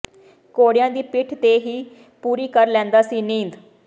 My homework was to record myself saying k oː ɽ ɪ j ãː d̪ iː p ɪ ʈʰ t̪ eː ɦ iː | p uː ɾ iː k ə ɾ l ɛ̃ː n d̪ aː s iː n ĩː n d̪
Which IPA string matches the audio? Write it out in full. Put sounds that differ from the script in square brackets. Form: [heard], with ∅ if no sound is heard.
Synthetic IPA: k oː ɽ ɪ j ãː d̪ iː p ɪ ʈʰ t̪ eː ɦ iː | p uː ɾ iː k ə ɾ l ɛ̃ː n d̪ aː s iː n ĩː n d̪